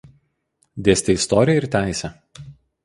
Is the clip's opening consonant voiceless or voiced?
voiced